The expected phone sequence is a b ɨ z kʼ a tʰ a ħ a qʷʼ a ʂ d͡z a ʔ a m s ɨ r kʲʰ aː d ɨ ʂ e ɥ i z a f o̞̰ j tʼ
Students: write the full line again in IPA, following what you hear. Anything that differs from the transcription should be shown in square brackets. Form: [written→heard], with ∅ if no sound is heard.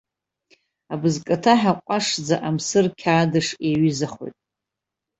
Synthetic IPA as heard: a b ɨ z kʼ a tʰ a ħ a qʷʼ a ʂ d͡z a ʔ a m s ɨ r kʲʰ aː d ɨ ʂ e ɥ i z a [f→χ] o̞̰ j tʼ